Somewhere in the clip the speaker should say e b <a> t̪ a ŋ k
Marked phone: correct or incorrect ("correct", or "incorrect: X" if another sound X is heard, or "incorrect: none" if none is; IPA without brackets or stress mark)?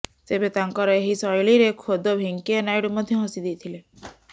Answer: incorrect: e